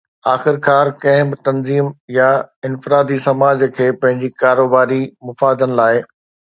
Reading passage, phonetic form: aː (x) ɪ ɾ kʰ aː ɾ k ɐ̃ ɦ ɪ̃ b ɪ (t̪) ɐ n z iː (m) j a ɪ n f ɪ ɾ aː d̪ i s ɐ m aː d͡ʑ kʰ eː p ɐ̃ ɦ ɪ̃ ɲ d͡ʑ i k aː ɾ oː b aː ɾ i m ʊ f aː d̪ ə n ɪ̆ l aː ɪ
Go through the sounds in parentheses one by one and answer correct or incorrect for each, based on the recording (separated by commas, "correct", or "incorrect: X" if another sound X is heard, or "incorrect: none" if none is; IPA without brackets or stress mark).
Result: correct, correct, correct